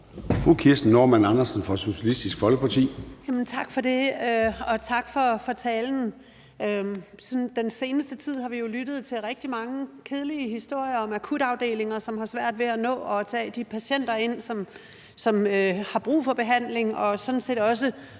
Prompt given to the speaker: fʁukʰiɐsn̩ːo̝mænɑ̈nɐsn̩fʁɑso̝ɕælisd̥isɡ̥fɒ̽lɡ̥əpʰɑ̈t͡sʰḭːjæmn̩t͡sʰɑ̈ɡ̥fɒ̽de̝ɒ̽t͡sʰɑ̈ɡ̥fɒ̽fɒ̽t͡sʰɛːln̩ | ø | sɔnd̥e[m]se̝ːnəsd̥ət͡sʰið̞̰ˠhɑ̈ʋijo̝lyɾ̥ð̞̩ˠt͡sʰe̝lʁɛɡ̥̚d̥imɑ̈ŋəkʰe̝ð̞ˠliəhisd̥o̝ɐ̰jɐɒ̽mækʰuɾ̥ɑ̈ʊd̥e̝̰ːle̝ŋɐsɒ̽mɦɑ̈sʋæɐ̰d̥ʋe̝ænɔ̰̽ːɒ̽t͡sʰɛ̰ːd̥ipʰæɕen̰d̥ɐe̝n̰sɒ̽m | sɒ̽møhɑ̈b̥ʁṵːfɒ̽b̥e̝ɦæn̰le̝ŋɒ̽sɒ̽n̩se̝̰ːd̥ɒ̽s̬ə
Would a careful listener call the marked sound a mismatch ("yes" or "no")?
yes